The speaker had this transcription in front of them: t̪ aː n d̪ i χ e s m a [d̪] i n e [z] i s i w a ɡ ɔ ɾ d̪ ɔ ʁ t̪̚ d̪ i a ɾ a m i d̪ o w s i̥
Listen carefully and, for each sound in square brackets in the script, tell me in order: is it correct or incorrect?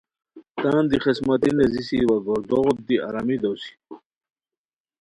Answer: incorrect: t̪, correct

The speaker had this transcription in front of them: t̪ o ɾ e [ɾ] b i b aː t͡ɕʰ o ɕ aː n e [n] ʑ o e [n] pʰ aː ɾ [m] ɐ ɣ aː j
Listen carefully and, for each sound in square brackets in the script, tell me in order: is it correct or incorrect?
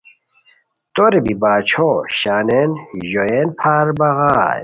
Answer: incorrect: none, correct, correct, incorrect: b

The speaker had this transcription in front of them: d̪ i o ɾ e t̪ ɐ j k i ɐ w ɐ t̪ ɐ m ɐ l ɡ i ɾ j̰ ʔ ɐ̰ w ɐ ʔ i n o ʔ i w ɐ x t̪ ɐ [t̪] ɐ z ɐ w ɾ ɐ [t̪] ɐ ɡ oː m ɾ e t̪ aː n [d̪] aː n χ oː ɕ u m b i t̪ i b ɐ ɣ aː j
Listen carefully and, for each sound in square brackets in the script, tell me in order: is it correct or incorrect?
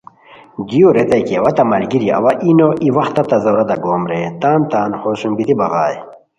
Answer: correct, incorrect: d̪, incorrect: t̪

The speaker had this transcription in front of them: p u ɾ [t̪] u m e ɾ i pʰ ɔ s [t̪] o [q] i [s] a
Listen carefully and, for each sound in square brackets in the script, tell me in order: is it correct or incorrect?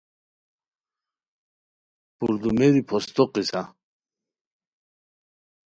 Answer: incorrect: d̪, correct, correct, correct

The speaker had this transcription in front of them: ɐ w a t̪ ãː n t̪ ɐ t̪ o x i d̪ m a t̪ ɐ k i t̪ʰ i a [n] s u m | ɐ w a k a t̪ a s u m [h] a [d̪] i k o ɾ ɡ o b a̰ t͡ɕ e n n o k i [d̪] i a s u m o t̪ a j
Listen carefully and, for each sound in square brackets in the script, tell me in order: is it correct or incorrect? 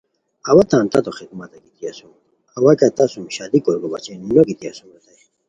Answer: incorrect: none, incorrect: ɕ, correct, incorrect: t̪

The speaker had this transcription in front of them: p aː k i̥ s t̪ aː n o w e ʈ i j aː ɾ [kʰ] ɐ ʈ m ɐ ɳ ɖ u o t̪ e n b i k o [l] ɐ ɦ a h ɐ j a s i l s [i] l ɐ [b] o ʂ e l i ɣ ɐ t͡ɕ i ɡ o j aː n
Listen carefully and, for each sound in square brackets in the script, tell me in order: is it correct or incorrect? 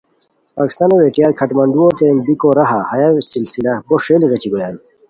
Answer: correct, incorrect: ɾ, correct, correct

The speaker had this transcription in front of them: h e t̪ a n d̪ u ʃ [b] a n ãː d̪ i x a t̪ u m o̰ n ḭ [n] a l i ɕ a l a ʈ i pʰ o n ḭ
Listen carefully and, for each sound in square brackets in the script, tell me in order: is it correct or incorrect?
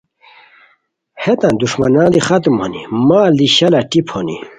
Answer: incorrect: m, incorrect: m

